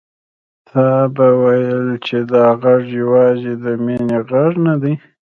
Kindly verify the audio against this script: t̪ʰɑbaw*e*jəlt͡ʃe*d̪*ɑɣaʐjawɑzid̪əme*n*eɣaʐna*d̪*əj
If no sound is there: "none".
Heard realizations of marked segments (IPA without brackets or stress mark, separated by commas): a, d̪, n, d̪